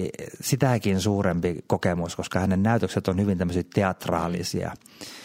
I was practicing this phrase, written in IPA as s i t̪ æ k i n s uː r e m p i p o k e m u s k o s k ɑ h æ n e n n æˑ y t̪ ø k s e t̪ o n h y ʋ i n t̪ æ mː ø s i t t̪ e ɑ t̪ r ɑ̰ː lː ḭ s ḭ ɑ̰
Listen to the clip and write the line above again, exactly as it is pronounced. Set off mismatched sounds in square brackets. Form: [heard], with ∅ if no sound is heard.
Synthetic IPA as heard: s i t̪ æ k i n s uː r e m p i [k] o k e m u s k o s k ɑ h æ n e n n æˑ y t̪ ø k s e t̪ o n h y ʋ i n t̪ æ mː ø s i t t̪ e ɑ t̪ r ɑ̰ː [l] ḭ s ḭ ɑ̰